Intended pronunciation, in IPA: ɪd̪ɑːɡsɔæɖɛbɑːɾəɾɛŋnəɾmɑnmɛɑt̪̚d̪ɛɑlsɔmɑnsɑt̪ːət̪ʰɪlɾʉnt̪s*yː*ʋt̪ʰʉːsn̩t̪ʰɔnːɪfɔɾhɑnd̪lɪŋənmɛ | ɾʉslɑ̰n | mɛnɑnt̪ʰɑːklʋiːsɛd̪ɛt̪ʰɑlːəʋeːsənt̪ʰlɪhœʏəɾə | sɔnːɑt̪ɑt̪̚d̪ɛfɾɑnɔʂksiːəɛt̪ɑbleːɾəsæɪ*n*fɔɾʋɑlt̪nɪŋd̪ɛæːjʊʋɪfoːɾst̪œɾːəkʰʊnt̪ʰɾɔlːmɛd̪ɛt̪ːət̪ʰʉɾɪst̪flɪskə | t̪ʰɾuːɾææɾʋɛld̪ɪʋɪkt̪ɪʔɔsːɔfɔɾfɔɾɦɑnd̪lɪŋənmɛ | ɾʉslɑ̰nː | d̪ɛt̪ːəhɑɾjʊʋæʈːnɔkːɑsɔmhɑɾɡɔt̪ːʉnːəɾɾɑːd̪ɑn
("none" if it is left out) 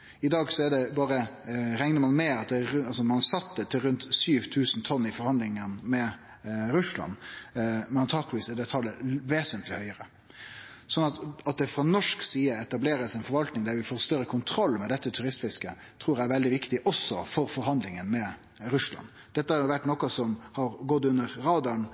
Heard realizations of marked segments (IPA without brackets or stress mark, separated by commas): yː, n